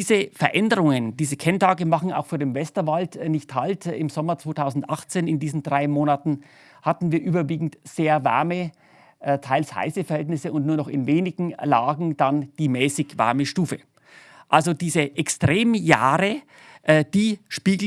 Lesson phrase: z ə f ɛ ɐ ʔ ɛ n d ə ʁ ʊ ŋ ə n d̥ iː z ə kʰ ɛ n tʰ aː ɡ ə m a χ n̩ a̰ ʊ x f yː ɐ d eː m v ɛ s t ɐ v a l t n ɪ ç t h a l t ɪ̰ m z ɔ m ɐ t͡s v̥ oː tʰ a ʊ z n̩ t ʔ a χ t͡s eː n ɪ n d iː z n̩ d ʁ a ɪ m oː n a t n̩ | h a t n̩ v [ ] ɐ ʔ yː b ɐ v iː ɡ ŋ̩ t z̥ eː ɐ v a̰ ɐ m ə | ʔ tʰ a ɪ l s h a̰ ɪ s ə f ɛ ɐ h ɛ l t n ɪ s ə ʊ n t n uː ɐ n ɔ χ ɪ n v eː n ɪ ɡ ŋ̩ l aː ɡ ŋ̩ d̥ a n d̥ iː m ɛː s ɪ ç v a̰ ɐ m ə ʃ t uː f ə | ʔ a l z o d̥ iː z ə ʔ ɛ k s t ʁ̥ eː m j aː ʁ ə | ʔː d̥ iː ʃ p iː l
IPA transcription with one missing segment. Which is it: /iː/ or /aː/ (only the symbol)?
iː